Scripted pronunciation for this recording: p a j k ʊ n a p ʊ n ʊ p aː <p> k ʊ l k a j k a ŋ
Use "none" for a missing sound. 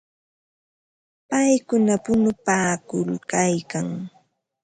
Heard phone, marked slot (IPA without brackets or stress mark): none